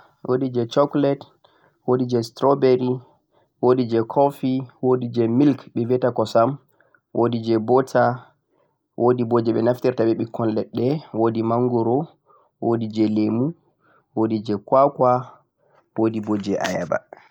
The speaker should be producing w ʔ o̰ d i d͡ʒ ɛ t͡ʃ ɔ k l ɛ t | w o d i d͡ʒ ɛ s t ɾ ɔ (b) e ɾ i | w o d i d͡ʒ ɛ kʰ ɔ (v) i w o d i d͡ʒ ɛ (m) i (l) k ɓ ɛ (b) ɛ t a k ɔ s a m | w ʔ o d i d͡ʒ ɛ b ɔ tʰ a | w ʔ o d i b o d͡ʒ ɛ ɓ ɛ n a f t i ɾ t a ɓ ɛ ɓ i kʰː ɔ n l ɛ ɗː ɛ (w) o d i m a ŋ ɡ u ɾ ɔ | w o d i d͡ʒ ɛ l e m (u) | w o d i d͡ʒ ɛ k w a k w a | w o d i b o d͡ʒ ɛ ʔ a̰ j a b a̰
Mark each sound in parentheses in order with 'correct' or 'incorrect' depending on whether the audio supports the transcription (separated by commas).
correct, incorrect, correct, correct, incorrect, correct, correct